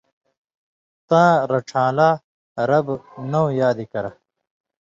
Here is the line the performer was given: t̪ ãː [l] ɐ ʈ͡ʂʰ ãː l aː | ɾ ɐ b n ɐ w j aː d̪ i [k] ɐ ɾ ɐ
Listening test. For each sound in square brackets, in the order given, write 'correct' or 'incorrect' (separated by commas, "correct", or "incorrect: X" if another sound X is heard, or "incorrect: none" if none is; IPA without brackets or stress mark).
incorrect: ɾ, correct